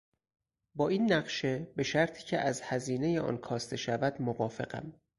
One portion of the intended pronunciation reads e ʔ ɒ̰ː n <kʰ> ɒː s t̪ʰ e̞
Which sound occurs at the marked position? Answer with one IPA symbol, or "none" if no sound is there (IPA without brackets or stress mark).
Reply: kʰ